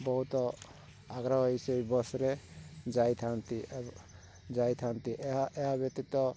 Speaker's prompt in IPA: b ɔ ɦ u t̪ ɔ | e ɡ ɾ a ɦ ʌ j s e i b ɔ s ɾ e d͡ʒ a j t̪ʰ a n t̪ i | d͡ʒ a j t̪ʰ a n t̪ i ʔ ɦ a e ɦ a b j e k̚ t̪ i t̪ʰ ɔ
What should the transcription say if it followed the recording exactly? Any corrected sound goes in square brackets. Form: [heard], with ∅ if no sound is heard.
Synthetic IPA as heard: b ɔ ɦ u t̪ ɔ | [a] ɡ ɾ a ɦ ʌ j s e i b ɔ s ɾ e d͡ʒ a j t̪ʰ a n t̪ i | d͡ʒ a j t̪ʰ a n t̪ i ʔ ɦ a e ɦ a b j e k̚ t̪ i [t̪] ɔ